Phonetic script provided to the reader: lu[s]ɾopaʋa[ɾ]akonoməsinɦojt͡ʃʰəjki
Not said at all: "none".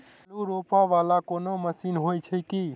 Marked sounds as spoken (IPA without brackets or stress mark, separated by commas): none, l